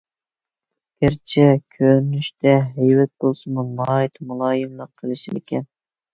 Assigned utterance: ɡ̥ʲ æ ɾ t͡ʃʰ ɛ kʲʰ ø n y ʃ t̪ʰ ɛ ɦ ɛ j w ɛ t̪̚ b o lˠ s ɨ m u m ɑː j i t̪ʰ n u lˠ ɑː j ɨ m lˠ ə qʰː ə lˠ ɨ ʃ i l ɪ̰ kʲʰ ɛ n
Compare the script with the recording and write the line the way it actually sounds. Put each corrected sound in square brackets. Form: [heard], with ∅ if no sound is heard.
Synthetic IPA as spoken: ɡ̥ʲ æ ɾ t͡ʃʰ ɛ kʲʰ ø n y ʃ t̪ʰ ɛ ɦ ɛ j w ɛ t̪̚ b o lˠ s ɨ m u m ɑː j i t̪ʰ [m] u lˠ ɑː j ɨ m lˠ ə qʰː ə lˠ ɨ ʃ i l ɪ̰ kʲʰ ɛ n